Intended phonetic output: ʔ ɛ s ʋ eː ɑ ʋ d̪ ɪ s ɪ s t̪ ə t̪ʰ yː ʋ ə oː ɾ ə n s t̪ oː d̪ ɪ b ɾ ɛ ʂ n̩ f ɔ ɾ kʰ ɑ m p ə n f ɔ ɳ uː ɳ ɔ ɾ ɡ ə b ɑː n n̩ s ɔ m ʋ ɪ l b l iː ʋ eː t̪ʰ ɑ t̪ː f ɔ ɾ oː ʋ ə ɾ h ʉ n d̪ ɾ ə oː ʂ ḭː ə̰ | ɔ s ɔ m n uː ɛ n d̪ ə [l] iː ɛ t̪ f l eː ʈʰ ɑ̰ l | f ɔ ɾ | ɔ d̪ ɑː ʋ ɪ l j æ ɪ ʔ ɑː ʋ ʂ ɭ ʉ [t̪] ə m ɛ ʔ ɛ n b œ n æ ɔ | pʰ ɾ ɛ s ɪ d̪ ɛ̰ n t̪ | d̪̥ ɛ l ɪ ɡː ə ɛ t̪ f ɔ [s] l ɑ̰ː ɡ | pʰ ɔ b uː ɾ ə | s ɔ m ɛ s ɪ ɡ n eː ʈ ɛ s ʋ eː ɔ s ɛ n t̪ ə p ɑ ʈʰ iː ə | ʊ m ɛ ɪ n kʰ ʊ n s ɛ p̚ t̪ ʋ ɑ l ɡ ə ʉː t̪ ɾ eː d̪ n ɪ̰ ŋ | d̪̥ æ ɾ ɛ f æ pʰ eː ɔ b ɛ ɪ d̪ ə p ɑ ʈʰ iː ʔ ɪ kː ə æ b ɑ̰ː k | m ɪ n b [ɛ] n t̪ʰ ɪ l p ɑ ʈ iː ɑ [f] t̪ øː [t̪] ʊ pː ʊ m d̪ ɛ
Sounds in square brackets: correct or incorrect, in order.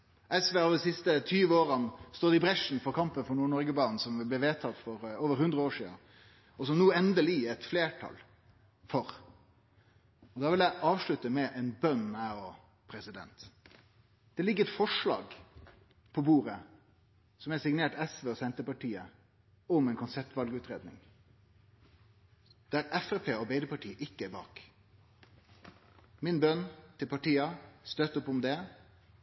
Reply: correct, correct, incorrect: ʂ, incorrect: œ, incorrect: s, correct

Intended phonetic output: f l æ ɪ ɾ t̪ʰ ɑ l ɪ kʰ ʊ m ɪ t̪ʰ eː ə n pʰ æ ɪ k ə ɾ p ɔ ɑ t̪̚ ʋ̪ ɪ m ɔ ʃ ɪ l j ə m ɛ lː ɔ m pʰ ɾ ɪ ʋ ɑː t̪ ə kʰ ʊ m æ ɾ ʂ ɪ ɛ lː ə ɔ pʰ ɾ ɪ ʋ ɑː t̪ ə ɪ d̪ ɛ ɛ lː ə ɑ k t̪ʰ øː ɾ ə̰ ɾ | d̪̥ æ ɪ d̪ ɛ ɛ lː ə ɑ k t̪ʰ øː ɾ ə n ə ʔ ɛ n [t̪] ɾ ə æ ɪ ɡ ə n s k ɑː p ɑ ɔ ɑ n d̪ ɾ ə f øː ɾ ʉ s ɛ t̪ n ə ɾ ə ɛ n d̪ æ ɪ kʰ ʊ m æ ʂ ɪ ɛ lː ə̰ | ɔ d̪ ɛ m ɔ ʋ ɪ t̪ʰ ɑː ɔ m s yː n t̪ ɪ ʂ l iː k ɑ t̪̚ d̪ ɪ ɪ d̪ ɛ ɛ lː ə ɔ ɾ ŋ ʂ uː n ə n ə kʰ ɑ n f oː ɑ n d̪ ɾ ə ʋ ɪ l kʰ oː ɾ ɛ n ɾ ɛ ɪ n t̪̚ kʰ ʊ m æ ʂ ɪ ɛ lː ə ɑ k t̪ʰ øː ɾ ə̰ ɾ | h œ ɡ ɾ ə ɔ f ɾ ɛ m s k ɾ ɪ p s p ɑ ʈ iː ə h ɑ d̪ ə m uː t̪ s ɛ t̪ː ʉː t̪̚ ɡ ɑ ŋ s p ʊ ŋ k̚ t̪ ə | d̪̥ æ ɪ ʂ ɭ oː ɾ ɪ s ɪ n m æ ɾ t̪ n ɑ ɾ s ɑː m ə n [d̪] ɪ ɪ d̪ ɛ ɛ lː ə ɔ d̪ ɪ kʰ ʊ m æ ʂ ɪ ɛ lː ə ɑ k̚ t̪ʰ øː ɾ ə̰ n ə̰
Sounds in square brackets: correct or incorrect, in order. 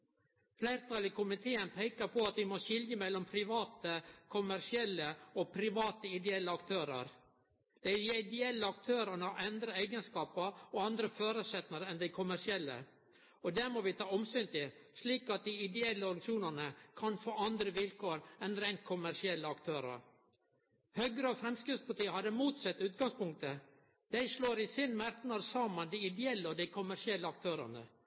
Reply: incorrect: d̪, correct

